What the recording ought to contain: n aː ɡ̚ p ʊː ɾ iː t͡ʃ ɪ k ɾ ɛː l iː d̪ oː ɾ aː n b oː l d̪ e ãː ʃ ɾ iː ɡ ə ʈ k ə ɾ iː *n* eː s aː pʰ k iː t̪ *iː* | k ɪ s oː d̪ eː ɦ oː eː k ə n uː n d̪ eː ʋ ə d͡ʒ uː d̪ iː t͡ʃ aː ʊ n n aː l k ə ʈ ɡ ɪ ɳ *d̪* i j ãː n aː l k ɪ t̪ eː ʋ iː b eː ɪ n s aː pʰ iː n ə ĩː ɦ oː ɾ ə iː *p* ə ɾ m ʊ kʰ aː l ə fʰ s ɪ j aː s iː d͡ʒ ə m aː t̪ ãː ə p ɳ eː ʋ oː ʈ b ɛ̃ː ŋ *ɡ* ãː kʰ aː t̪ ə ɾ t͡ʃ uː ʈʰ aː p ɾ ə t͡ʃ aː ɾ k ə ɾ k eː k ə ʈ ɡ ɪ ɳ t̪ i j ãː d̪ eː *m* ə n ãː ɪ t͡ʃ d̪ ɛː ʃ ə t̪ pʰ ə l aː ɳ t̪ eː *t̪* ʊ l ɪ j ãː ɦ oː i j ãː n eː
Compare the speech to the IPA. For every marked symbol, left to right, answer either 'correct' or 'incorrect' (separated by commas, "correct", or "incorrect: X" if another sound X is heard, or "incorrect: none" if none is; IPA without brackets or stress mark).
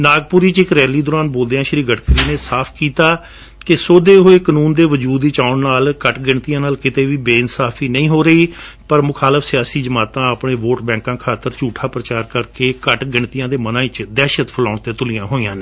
correct, incorrect: aː, incorrect: t̪, correct, incorrect: k, correct, correct